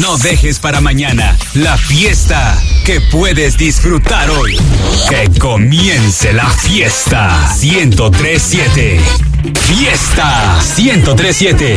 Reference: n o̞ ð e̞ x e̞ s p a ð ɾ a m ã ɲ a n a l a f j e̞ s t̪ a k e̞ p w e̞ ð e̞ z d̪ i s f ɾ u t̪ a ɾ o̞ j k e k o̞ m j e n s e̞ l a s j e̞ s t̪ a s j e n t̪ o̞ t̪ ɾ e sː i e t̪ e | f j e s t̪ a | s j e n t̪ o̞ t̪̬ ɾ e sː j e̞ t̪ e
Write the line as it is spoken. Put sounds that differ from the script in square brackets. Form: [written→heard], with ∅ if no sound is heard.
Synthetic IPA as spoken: n o̞ ð e̞ x e̞ s p a [ð→∅] ɾ a m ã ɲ a n a l a f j e̞ s t̪ a k e̞ p w e̞ ð e̞ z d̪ i s f ɾ u t̪ a ɾ o̞ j k e k o̞ m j e n s e̞ l a [s→f] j e̞ s t̪ a s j e n t̪ o̞ t̪ ɾ e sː [i→j] e t̪ e | f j e s t̪ a | s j e n t̪ o̞ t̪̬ ɾ e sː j e̞ t̪ e

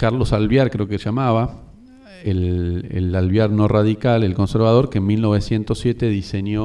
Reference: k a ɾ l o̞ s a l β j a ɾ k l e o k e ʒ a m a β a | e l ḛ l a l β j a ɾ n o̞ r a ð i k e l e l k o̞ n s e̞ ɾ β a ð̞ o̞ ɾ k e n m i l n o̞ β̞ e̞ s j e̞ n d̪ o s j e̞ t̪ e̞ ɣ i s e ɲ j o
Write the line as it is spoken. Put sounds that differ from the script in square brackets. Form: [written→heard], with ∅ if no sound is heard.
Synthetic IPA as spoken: k a ɾ l o̞ s a l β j a ɾ k [l→ɾ] e o k e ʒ a m a β a | e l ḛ l a l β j a ɾ n o̞ r a ð i k [e→a] l e l k o̞ n s e̞ ɾ β a ð̞ o̞ ɾ k e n m i l n o̞ β̞ e̞ s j e̞ n [d̪→t̪] o s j e̞ t̪ e̞ [ɣ→ð] i s e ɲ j o

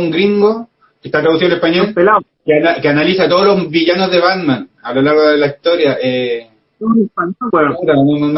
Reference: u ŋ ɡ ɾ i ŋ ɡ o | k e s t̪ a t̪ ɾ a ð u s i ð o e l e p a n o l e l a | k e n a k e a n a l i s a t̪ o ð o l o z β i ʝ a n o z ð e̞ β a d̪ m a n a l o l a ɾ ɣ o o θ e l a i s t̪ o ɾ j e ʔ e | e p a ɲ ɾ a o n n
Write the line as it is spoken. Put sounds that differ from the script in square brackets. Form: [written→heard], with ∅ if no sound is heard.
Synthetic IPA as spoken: u ŋ ɡ ɾ i ŋ ɡ o | k e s t̪ a t̪ ɾ a ð u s i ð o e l e p a [n→ɲ] o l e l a | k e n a k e a n a l i s a t̪ o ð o l o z β i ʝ a n o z ð e̞ β a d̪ m a n a l o l a ɾ ɣ o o [θ→ð] e l a i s t̪ o ɾ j [e→a] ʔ e | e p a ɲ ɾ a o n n

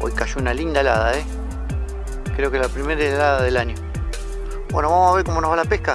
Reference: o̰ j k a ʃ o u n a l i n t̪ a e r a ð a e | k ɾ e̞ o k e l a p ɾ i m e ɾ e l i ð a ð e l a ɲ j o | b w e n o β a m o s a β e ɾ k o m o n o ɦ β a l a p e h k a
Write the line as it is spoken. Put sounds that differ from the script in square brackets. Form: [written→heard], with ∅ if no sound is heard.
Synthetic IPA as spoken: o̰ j k a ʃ o u n a l i n [t̪→d̪] a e [r→l] a ð a e | k ɾ e̞ o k e l a p ɾ i m e ɾ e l [i→a] ð a ð e l a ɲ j o | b w e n o β a m o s a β e ɾ k o m o n o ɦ β a l a p e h k a

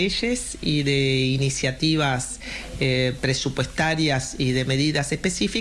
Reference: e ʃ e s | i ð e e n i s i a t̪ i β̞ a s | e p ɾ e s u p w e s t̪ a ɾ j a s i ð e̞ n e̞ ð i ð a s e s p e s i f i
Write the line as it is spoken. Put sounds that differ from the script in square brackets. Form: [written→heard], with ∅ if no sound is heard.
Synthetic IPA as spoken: e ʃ e s | i ð e [e→i] n i s [i→j] a t̪ i β̞ a s | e p ɾ e s u p w e s t̪ a ɾ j a s i ð e̞ [n→m] e̞ ð i ð a s e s p e s i f i

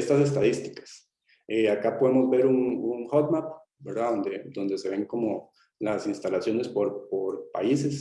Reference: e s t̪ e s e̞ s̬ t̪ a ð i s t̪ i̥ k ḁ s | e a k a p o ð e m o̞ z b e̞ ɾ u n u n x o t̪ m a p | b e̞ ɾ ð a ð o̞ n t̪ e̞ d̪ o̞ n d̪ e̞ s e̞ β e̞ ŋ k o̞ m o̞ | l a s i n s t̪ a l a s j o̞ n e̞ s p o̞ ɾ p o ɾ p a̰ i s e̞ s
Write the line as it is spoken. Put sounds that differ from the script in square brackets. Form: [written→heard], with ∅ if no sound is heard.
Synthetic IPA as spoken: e s t̪ [e→a] s e̞ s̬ t̪ a ð i s t̪ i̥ k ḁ s | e a k a p o ð e m o̞ z b e̞ ɾ u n u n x o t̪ m a p | b e̞ ɾ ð a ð o̞ n [t̪→d̪] e̞ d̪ o̞ n d̪ e̞ s e̞ β e̞ ŋ k o̞ m o̞ | l a s i n s t̪ a l a s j o̞ n e̞ s p o̞ ɾ p o ɾ p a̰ i s e̞ s

